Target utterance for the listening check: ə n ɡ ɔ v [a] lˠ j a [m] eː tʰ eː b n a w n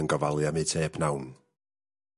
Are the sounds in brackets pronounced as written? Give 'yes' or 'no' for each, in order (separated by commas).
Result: yes, yes